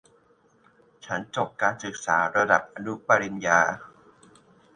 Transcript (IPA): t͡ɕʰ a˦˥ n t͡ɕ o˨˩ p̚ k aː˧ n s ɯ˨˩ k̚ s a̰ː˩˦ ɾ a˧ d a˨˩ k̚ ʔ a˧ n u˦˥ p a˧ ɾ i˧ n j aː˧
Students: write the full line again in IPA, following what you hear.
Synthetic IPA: t͡ɕʰ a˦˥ n t͡ɕ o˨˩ p̚ k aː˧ n s ɯ˨˩ k̚ s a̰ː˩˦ ɾ a˧ d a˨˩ p̚ ʔ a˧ n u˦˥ p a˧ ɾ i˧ n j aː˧